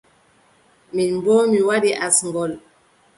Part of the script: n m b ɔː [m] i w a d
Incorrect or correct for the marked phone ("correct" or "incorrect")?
correct